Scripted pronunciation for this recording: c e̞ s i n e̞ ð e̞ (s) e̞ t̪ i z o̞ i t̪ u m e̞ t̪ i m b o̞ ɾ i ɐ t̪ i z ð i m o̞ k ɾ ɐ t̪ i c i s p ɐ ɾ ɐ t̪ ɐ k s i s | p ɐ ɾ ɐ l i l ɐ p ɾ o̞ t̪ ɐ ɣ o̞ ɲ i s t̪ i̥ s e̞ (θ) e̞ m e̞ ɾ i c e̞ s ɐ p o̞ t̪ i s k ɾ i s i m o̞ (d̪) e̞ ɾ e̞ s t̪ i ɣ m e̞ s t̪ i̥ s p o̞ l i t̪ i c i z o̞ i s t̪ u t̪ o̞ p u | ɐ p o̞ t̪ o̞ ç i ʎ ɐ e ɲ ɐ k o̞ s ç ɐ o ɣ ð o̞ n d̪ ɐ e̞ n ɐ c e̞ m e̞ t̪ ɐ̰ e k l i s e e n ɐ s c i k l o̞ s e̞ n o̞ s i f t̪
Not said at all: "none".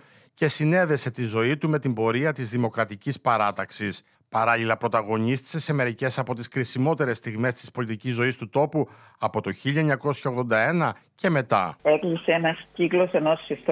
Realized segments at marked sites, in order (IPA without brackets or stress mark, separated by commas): s, s, t̪